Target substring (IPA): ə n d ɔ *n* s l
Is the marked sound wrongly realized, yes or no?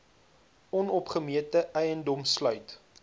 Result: yes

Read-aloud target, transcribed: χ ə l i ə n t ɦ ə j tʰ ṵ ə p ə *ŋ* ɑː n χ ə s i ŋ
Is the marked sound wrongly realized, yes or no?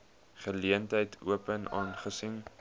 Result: yes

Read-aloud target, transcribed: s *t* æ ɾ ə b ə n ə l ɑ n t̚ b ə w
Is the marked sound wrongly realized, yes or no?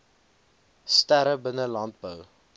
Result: no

